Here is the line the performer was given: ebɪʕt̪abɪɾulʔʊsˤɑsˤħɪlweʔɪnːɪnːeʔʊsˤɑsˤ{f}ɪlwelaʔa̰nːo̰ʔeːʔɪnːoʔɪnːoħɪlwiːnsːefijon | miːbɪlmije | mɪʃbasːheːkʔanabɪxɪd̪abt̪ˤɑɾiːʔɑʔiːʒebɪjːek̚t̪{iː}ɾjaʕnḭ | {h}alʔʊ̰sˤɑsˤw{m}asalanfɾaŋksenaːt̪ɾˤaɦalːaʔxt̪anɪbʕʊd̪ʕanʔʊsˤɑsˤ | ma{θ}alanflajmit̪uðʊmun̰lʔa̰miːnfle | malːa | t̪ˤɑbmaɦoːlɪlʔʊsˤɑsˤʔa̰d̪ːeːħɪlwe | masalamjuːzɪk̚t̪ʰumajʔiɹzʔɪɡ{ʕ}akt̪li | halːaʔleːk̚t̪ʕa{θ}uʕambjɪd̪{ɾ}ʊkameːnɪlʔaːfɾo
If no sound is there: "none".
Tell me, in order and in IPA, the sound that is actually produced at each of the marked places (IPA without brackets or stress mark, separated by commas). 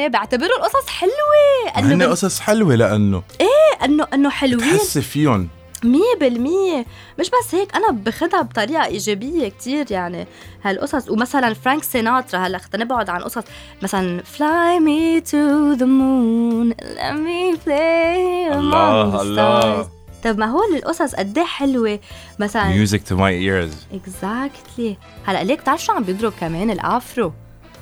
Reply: ħ, iː, h, m, s, z, ʃ, ɾ